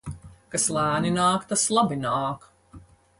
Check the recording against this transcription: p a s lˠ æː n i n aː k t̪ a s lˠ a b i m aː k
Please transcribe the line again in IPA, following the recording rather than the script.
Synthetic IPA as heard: k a s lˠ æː n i n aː k t̪ a s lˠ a b i n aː k

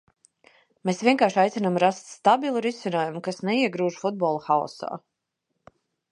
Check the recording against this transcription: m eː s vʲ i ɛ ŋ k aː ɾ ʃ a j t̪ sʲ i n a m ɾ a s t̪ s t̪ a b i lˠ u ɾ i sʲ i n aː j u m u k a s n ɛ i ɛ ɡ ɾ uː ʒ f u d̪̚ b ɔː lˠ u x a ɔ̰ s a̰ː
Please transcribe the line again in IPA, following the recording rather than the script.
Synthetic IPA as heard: m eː s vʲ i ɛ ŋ k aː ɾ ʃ a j t̪ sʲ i n a m ɾ a s t̪ s t̪ a b i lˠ u ɾ i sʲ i n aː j u m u k a s n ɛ i ɛ ɡ ɾ uː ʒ f u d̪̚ b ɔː lˠ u x a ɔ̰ s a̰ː

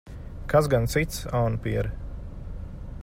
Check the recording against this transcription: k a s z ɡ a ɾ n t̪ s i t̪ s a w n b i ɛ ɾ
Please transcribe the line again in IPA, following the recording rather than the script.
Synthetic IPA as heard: k a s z ɡ a n t̪ s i t̪ s a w n p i ɛ ɾ

